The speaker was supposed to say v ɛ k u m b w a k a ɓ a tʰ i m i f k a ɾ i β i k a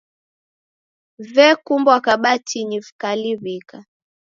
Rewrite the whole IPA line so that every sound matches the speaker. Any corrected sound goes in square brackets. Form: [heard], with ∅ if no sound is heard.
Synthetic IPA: v ɛ k u m b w a k a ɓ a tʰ i [ɲ] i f k a [l] i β i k a